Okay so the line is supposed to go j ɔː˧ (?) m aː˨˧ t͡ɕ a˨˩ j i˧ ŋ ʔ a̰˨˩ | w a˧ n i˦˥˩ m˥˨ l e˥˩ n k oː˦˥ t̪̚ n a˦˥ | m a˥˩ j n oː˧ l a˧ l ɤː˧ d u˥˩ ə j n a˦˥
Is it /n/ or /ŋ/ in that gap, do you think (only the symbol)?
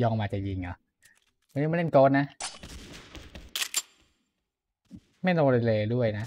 ŋ